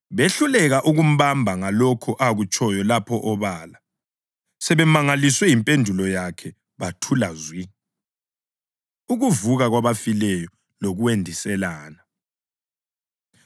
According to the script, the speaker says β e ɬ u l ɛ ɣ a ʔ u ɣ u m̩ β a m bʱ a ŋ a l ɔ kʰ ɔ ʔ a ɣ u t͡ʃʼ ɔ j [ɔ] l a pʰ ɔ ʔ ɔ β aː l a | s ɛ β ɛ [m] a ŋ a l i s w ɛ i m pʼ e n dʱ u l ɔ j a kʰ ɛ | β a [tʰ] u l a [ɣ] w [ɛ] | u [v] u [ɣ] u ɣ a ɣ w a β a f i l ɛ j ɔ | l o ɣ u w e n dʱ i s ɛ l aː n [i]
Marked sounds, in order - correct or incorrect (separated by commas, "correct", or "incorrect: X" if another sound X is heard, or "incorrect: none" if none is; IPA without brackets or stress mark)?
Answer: correct, correct, correct, incorrect: z, incorrect: i, incorrect: ɣ, incorrect: v, incorrect: a